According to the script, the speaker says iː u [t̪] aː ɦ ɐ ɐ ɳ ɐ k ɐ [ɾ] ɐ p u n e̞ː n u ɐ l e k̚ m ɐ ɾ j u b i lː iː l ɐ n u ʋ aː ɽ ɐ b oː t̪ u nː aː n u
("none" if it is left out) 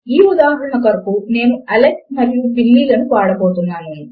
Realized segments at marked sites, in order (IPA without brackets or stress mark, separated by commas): d̪, ɾ